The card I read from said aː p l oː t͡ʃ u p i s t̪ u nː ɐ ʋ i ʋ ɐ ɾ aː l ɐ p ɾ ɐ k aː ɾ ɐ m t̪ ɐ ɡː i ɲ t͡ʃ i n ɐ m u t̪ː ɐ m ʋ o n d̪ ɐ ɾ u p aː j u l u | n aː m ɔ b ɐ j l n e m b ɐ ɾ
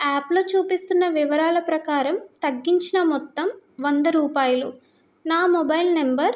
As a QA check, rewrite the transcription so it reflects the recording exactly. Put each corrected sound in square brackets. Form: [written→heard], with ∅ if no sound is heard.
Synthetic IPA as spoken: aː p l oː t͡ʃ [u→uː] p i s t̪ u nː ɐ ʋ i ʋ ɐ ɾ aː l ɐ p ɾ ɐ k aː ɾ ɐ m t̪ ɐ ɡː i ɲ t͡ʃ i n ɐ m [u→ɔ] t̪ː ɐ m ʋ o n d̪ ɐ ɾ [u→uː] p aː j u l u | n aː m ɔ b ɐ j l n e m b ɐ ɾ

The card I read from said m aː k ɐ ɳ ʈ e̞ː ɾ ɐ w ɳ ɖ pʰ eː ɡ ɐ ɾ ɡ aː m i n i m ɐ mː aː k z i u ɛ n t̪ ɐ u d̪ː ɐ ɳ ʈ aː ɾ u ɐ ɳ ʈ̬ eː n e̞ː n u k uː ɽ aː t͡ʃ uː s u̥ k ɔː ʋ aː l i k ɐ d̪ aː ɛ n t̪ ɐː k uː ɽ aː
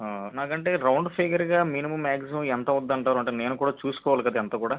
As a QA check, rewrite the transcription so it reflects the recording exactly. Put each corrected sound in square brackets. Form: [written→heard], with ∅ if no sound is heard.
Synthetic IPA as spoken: [m→n] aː k ɐ ɳ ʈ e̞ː ɾ ɐ w ɳ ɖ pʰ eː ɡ ɐ ɾ ɡ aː m i n i m ɐ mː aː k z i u ɛ n t̪ ɐ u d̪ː ɐ ɳ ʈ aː ɾ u ɐ ɳ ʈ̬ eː n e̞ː n u k uː ɽ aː t͡ʃ uː s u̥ k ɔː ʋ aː l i k ɐ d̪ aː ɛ n t̪ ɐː k uː ɽ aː

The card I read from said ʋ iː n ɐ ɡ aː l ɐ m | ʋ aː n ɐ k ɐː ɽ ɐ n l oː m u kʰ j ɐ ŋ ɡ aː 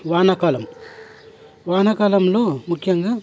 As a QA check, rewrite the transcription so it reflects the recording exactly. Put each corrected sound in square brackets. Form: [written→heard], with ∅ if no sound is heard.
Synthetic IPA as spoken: ʋ [iː→aː] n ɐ [ɡ→k] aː l ɐ m | ʋ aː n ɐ k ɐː [ɽ→l] ɐ [n→m] l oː m u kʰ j ɐ ŋ ɡ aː

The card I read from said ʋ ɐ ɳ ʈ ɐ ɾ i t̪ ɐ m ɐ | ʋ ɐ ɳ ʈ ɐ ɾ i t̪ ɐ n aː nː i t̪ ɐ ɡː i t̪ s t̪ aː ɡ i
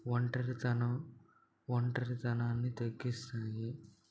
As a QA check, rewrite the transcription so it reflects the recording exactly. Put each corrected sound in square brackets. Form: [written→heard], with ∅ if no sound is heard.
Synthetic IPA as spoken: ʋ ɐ ɳ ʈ ɐ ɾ i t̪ ɐ [m→n] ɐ | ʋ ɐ ɳ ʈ ɐ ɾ i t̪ ɐ n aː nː i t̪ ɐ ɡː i [t̪→∅] s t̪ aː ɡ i

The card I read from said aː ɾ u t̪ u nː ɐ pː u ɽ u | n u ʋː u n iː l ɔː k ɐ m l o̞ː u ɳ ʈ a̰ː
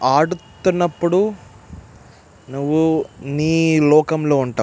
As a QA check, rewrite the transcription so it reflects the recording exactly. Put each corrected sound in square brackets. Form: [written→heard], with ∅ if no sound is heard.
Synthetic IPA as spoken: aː [ɾ→ɽ] u t̪ u nː ɐ pː u ɽ u | n u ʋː u n iː l ɔː k ɐ m l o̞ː u ɳ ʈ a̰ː

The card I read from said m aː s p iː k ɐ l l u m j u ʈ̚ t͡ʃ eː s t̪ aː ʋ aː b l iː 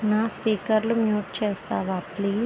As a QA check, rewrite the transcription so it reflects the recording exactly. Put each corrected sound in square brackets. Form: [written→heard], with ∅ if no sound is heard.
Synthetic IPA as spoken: [m→n] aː s p iː k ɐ [l→ɾ] l u m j [u→uː] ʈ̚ t͡ʃ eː s t̪ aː ʋ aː [b→p] l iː

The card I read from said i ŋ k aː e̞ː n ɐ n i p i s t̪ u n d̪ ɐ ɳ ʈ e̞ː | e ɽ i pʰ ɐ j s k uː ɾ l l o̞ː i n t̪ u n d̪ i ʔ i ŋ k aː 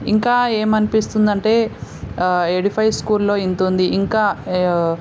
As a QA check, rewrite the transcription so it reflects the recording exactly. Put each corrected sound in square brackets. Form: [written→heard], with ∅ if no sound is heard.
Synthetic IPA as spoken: i ŋ k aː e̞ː [n→m] ɐ n i p i s t̪ u n d̪ ɐ ɳ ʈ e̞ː | e ɽ i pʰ ɐ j s k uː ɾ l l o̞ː i n t̪ u n d̪ i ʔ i ŋ k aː

